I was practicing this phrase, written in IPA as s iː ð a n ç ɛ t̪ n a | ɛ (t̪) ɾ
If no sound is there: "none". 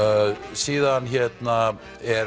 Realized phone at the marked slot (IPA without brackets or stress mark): none